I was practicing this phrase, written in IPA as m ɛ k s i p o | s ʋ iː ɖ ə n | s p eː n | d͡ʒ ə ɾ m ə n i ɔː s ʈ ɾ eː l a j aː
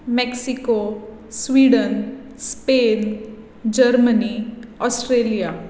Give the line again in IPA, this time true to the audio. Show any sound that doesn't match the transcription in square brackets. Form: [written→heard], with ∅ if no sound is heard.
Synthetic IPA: m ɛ k s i [p→k] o | s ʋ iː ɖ ə n | s p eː n | d͡ʒ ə ɾ m ə n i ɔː s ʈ ɾ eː l [a→i] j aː